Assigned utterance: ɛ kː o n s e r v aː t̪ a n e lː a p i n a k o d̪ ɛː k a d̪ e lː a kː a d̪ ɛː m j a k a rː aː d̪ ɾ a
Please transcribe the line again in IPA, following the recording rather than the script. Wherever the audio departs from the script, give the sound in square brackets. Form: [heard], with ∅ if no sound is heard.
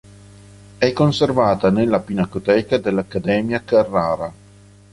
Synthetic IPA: ɛ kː o n s e r v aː t̪ a n e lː a p i n a k o [t̪] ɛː k a d̪ e lː a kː a d̪ ɛː m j a k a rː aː [∅] ɾ a